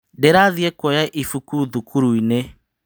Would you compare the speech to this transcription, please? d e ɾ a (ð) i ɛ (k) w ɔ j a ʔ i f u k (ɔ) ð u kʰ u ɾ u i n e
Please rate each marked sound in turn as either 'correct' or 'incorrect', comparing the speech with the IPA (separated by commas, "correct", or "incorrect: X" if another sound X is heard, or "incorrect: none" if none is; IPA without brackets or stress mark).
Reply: correct, correct, incorrect: u